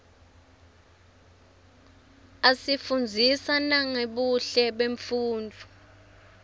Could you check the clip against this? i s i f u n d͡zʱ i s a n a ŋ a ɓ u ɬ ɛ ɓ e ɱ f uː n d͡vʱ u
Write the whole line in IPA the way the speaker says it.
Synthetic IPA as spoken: a s i f u n d͡zʱ i s a n a ŋ e ɓ u ɬ ɛ ɓ e ɱ f uː n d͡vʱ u